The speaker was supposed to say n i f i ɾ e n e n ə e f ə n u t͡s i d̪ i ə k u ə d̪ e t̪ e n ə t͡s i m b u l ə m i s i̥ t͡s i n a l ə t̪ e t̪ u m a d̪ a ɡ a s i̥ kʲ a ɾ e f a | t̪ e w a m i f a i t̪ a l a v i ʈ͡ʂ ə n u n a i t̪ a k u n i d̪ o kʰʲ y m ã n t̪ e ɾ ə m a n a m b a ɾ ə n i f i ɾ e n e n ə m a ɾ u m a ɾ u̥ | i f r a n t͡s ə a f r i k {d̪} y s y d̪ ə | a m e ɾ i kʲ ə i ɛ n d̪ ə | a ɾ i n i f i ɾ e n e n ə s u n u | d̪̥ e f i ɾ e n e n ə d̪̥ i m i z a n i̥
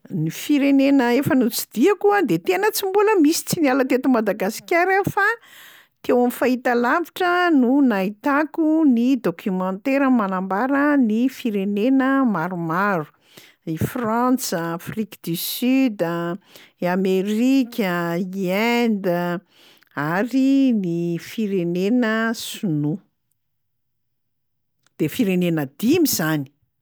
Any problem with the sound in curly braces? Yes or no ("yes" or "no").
no